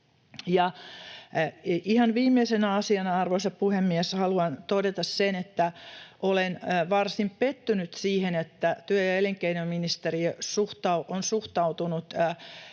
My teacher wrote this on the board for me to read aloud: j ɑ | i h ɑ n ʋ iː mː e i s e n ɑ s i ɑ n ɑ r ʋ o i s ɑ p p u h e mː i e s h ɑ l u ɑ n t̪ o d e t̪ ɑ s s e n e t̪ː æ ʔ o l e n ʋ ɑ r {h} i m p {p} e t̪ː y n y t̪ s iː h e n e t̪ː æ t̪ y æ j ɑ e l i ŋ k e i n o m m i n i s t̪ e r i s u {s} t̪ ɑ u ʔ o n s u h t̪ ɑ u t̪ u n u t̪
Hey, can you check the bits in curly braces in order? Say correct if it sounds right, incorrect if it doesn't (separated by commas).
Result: incorrect, correct, incorrect